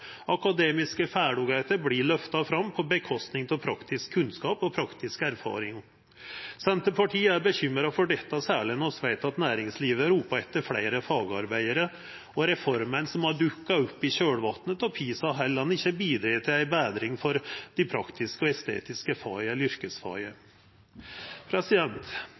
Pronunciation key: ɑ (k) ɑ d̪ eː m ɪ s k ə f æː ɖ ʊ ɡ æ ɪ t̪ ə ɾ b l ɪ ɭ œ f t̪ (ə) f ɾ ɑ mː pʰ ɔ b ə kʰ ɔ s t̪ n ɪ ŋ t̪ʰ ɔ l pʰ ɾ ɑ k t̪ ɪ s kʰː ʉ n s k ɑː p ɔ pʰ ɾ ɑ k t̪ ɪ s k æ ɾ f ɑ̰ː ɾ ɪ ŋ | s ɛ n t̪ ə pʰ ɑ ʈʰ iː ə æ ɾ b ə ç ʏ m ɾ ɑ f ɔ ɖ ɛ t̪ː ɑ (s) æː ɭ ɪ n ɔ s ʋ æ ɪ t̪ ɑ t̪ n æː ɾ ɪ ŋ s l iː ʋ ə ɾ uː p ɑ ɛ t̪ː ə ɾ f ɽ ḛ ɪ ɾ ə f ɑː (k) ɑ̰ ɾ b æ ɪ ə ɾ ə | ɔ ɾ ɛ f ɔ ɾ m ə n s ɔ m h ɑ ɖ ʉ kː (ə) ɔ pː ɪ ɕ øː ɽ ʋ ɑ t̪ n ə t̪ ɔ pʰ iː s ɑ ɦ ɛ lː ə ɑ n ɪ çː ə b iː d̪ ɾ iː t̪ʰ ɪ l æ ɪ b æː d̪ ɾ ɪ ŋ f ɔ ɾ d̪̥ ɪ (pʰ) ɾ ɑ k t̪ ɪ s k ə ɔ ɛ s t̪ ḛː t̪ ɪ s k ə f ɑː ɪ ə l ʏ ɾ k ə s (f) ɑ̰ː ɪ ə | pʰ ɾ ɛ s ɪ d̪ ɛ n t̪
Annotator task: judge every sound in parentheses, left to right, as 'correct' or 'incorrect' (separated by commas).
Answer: correct, incorrect, correct, incorrect, incorrect, correct, correct